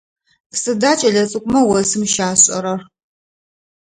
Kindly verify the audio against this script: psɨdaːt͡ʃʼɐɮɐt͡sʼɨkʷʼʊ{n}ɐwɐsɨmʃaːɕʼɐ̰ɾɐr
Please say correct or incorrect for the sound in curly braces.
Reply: incorrect